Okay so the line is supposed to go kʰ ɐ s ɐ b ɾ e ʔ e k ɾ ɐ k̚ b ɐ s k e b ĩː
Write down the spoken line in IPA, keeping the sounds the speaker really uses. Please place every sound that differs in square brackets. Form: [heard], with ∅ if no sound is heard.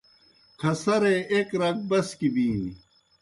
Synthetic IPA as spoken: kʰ ɐ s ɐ [∅] ɾ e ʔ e k ɾ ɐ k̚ b ɐ s k [i] b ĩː